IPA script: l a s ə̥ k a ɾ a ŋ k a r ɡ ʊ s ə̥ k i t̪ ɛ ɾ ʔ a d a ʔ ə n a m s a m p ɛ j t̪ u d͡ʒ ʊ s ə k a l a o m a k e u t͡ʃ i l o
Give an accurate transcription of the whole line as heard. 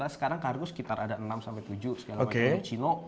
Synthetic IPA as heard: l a s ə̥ k a ɾ a ŋ k a r ɡ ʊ s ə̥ k i t̪ a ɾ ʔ a d a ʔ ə n a m s a m p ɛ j t̪ u d͡ʒ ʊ s ə ɡ a l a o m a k e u t͡ʃ i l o